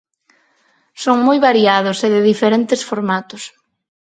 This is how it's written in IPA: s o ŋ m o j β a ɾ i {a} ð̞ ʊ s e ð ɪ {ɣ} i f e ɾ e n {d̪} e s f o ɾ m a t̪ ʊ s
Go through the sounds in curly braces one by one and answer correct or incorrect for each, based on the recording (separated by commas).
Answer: correct, incorrect, incorrect